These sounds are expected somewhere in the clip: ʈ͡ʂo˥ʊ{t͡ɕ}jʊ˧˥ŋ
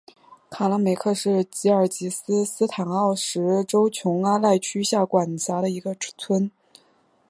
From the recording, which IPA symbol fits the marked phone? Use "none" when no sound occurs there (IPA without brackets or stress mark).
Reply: t͡ɕʰ